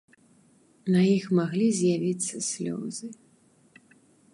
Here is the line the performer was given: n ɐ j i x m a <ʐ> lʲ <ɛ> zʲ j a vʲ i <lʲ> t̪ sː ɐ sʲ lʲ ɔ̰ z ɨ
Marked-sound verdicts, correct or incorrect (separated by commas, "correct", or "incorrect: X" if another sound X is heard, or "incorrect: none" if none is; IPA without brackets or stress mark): incorrect: ɣ, incorrect: i, incorrect: none